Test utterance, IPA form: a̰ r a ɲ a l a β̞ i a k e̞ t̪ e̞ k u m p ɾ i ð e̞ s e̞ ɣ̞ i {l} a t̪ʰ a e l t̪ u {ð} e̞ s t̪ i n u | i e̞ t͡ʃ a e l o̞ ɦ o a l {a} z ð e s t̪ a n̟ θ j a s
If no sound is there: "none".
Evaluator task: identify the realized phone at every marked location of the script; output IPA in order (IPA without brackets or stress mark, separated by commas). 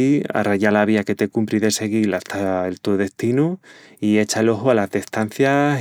l, ð, a